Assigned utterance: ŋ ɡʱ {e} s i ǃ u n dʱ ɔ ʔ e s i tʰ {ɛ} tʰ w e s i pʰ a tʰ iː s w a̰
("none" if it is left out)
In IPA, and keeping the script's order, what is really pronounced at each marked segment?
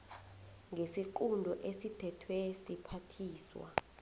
e, ɛ

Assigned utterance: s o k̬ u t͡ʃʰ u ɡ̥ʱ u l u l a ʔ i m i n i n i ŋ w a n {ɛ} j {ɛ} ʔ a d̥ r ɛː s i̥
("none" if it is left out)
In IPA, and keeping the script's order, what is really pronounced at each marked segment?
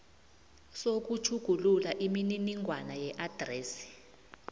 a, ɛ

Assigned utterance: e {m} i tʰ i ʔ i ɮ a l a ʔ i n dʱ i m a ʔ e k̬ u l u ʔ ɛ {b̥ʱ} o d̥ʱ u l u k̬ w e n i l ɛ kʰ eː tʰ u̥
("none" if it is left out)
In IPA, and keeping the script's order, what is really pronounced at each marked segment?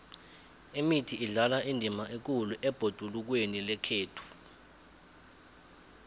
m, b̥ʱ

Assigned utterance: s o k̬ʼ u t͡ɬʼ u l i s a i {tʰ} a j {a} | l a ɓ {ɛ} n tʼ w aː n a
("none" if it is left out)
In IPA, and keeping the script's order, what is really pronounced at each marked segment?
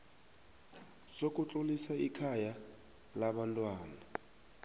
kʰ, a, a

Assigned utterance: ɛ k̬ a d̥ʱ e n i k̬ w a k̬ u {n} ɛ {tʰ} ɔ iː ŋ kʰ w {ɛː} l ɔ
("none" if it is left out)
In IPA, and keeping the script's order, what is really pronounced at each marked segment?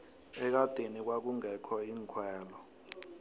ŋ, kʰ, ɛː

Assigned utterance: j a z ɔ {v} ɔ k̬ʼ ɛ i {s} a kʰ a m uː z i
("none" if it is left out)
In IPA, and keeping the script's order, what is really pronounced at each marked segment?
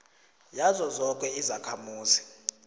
z, z

